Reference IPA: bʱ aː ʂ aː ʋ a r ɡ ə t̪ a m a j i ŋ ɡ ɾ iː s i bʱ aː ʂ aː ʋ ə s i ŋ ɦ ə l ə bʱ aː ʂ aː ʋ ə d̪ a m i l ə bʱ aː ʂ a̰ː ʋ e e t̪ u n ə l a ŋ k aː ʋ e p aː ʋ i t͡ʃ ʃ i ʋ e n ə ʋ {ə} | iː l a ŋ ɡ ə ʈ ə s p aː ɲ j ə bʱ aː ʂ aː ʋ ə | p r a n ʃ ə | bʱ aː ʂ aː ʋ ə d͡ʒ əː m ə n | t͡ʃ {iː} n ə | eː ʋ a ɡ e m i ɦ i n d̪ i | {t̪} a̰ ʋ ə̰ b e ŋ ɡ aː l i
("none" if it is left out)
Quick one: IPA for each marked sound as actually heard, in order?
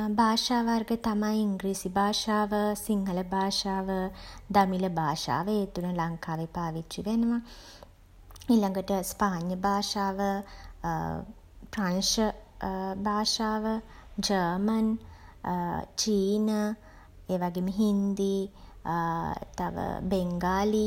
a, iː, t̪

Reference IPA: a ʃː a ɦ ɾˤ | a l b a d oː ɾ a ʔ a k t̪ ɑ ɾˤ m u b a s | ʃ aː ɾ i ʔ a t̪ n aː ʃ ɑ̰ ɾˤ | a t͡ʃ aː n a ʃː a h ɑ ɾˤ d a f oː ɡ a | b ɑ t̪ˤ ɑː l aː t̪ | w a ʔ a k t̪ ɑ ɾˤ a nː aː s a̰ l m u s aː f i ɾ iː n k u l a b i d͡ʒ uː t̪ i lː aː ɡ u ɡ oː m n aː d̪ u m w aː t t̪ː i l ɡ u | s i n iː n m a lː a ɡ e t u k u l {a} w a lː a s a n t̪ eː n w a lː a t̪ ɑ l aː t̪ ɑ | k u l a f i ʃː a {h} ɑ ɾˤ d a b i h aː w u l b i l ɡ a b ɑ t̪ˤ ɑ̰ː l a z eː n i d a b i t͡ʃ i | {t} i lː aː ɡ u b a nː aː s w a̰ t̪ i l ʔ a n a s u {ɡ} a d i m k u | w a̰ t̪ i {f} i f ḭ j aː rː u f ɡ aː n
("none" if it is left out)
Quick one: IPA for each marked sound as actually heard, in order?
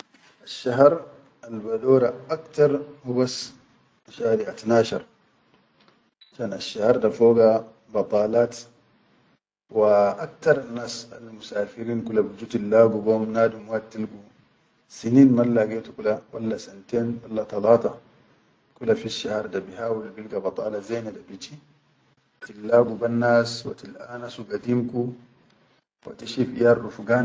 a, h, t, ɡ, ʃ

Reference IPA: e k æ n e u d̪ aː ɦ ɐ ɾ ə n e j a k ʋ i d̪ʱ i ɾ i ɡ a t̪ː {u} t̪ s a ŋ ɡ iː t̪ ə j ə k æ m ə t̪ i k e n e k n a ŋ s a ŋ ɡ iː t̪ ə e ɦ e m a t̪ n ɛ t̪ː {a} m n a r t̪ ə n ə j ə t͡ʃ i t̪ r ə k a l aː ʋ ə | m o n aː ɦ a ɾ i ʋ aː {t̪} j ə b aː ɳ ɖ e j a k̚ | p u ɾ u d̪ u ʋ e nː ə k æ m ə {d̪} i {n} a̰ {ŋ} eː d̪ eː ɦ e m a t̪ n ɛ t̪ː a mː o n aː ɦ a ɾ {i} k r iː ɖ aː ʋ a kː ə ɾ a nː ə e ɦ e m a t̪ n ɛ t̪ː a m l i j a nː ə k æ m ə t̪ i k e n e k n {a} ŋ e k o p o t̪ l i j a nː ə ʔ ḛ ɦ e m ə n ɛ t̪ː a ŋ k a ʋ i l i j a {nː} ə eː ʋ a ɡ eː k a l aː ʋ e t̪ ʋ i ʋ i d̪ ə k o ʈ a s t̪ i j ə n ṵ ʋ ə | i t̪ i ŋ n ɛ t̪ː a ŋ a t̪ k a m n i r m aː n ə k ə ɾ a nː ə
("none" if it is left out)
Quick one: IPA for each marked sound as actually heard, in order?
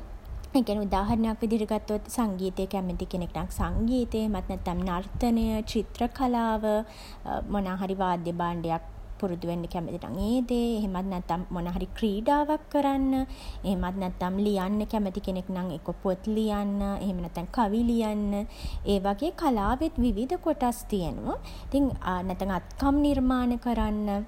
o, a, d̪, t̪, n, ŋ, i, a, nː

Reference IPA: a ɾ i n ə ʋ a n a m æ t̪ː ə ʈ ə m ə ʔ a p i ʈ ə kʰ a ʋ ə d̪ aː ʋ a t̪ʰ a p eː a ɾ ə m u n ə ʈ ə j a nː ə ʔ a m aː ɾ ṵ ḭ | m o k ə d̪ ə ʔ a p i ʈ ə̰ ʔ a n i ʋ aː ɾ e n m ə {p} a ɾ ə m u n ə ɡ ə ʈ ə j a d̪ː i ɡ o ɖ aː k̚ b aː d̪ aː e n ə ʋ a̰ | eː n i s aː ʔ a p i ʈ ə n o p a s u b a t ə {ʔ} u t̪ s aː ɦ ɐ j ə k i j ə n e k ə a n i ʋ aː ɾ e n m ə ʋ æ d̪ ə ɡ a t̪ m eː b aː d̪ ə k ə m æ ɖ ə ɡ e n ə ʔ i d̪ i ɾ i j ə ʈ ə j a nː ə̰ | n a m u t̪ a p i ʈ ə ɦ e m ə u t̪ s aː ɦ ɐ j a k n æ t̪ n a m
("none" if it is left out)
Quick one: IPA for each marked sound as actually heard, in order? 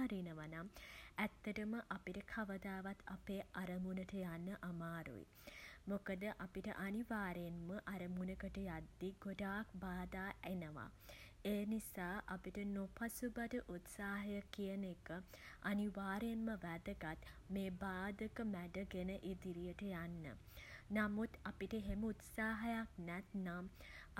ʔ, ʔ

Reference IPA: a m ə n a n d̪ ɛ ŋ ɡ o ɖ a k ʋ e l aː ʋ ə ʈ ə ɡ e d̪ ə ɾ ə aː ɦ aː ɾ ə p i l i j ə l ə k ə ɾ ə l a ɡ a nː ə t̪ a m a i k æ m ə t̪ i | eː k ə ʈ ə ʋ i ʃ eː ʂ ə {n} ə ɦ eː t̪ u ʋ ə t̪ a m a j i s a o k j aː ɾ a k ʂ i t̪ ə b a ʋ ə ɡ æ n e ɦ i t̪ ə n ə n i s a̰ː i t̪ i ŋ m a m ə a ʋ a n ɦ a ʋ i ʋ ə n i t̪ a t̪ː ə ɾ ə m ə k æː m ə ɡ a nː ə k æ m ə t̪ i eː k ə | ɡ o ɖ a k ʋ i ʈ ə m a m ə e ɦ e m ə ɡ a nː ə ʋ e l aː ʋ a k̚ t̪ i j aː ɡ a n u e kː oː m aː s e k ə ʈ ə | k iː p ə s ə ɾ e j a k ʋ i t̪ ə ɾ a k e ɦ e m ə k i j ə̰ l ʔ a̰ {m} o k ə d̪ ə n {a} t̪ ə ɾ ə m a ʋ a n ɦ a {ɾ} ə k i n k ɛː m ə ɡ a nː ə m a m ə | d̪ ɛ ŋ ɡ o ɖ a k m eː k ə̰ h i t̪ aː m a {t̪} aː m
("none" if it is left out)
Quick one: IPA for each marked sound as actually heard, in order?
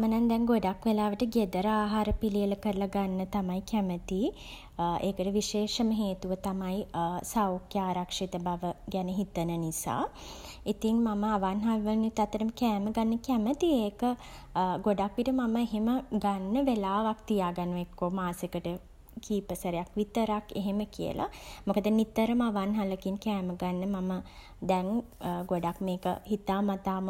m, m, i, l, t̪

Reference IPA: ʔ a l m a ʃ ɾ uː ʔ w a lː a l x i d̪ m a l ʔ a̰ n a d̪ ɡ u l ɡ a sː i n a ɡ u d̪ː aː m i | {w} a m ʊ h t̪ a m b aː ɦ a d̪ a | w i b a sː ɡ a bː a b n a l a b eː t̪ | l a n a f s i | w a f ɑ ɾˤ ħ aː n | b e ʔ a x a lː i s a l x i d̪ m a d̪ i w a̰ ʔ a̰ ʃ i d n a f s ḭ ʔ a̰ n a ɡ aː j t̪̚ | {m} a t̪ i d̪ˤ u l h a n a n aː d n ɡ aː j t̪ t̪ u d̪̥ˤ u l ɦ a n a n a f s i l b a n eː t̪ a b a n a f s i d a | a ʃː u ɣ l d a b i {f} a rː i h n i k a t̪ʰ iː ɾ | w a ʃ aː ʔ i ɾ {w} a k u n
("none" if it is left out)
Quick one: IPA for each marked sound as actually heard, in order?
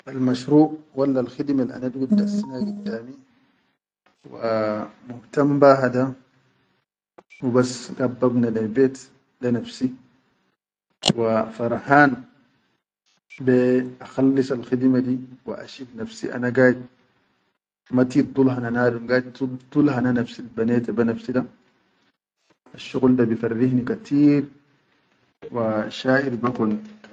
w, m, f, b

